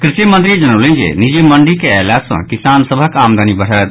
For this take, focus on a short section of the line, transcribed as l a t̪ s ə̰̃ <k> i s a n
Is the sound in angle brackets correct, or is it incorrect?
correct